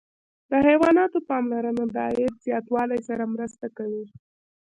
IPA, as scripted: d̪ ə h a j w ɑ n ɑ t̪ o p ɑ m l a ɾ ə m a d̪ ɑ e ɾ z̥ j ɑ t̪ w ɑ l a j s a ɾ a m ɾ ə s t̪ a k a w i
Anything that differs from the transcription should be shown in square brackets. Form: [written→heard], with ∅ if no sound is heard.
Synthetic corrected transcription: d̪ ə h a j w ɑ n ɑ t̪ o p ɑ m l a ɾ ə [m→n] a d̪ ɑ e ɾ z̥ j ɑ t̪ w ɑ l a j s a ɾ a m ɾ ə s t̪ a k a w i